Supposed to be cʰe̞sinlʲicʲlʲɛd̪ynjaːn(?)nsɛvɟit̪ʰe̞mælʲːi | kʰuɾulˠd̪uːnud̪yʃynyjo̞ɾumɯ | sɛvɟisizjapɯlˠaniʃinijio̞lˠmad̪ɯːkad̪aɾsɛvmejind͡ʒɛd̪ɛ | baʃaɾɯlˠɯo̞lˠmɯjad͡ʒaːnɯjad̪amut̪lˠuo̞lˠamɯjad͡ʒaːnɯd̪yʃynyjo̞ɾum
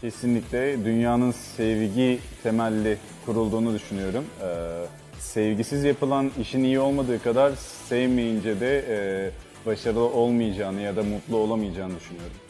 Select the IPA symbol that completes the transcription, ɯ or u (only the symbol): ɯ